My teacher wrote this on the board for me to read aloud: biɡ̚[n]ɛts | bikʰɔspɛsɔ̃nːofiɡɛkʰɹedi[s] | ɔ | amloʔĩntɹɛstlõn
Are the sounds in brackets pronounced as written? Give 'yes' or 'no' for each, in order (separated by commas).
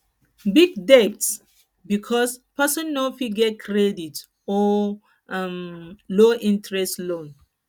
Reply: no, no